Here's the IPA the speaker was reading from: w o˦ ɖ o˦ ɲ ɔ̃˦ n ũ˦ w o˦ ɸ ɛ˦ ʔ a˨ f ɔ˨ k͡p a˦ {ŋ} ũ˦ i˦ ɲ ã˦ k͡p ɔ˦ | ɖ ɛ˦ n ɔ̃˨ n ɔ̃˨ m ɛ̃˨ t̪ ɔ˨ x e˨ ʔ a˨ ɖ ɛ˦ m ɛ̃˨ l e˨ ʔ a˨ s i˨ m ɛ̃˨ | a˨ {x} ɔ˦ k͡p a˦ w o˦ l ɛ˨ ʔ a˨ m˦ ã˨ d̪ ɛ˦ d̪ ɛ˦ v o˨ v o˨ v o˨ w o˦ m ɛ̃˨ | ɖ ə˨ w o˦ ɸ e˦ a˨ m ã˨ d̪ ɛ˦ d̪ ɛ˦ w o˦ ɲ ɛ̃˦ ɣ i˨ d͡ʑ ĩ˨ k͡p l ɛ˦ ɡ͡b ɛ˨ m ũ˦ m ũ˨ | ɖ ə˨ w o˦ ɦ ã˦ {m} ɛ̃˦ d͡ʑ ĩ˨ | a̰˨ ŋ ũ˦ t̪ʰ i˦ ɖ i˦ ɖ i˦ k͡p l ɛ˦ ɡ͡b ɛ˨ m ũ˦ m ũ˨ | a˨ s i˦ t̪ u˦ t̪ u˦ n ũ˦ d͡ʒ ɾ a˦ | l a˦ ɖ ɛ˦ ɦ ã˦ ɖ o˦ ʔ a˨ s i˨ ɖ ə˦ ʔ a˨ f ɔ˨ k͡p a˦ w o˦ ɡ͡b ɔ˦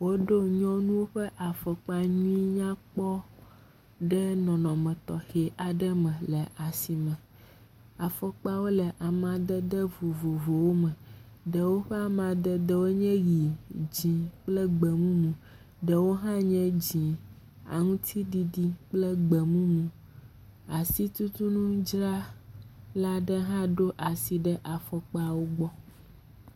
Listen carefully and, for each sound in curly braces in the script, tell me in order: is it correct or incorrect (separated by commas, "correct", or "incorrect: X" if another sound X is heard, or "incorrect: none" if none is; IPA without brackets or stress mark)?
incorrect: ɲ, incorrect: f, incorrect: ɲ